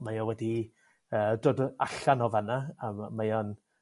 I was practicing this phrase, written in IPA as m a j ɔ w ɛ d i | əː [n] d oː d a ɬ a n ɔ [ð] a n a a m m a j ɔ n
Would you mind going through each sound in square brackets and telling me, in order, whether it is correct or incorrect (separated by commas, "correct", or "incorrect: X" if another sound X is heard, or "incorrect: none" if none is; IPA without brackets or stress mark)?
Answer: incorrect: none, incorrect: v